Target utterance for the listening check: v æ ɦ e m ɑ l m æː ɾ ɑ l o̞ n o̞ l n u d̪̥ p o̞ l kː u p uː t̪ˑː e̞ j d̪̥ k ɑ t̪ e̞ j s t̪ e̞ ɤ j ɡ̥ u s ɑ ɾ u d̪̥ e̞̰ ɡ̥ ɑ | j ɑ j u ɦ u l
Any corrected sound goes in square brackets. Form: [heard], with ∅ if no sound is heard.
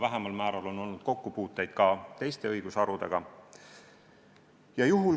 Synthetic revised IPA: v æ ɦ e m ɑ l m æː ɾ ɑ l o̞ n o̞ l n u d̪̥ [k] o̞ [∅] kː u p uː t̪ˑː e̞ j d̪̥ k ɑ t̪ e̞ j s t̪ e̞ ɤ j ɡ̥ u s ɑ ɾ u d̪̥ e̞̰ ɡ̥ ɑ | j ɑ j u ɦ u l